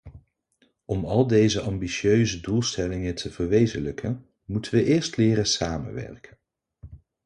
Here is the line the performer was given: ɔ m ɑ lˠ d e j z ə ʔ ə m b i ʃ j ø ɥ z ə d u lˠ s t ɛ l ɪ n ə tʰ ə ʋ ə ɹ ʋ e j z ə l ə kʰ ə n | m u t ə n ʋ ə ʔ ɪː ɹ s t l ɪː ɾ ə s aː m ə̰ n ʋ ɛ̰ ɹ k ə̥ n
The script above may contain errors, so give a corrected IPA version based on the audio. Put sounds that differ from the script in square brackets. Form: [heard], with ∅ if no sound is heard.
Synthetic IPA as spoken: ɔ m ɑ lˠ d e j z ə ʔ [ɑ] m b i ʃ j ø ɥ z ə d u lˠ s t ɛ l ɪ [ŋ] ə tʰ ə [v] ə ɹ ʋ e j z ə l ə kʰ ə n | m u t ə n ʋ ə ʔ ɪː ɹ s t l ɪː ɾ ə s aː m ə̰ n ʋ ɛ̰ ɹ k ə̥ n